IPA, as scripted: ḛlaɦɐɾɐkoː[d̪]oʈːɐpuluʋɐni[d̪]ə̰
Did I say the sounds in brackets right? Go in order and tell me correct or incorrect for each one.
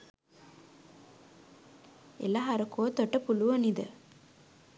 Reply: incorrect, correct

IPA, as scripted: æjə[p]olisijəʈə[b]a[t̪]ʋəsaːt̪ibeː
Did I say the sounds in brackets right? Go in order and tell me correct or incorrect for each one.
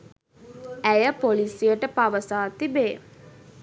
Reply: correct, incorrect, incorrect

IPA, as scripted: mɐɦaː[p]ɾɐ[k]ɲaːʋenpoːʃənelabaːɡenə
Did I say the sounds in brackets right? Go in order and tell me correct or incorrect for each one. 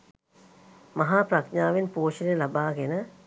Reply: correct, correct

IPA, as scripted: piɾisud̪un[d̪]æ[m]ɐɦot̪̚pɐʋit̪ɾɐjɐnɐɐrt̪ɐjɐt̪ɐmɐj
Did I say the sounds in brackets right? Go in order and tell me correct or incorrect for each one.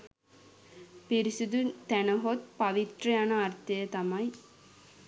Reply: incorrect, incorrect

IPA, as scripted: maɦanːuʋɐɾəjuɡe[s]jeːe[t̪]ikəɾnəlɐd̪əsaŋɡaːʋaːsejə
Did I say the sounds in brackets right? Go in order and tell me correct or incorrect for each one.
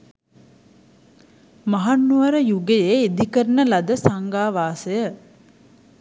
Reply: incorrect, incorrect

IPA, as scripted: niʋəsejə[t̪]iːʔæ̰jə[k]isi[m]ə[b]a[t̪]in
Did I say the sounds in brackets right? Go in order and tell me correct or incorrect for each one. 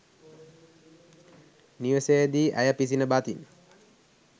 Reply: incorrect, incorrect, incorrect, correct, correct

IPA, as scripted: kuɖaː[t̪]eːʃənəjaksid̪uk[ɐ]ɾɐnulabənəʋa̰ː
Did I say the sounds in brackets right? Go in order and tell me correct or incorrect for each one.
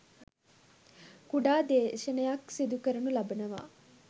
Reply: incorrect, incorrect

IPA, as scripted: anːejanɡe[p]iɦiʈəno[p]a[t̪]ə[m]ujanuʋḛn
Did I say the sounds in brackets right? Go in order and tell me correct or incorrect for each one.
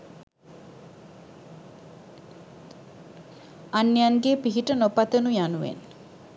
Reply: correct, correct, correct, incorrect

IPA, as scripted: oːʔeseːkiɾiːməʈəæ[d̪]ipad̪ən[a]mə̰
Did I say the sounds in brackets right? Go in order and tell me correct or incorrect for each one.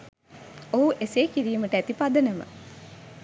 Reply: incorrect, incorrect

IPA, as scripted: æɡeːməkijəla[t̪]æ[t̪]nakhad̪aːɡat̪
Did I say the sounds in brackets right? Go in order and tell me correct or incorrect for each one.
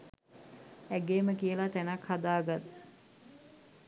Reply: correct, incorrect

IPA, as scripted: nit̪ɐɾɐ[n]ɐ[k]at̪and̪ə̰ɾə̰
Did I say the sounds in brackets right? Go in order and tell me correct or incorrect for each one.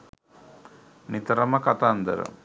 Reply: incorrect, correct

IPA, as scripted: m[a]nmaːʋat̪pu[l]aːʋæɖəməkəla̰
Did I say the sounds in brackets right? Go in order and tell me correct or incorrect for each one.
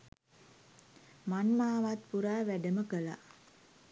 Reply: correct, incorrect

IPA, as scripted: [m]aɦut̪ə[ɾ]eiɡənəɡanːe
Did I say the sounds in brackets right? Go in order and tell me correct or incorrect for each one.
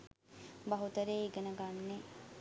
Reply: incorrect, correct

